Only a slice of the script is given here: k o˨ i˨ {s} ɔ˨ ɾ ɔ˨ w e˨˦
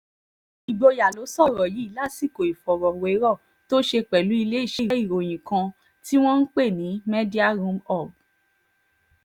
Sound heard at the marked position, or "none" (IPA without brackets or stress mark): f